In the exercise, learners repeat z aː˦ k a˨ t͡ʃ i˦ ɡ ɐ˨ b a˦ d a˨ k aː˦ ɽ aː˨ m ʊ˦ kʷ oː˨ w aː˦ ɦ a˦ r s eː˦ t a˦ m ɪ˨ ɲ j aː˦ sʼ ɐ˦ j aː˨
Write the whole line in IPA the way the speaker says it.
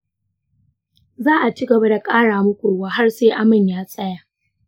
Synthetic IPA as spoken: z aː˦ ʔ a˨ t͡ʃ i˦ ɡ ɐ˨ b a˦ d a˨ kʼ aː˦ ɽ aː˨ m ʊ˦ kʷ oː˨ w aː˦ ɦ a˦ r s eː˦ ʔ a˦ m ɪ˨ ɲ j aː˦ sʼ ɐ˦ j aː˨